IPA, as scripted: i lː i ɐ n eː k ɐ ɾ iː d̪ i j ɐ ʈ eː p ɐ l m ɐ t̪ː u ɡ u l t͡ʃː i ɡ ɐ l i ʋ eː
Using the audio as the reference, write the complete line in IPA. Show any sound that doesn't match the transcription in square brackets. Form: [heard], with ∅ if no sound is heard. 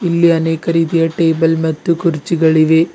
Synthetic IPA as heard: i lː i ɐ n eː k ɐ ɾ iː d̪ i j ɐ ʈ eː [b] ɐ l m ɐ t̪ː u [k] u [ɾ] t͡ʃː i ɡ ɐ [ɭ] i ʋ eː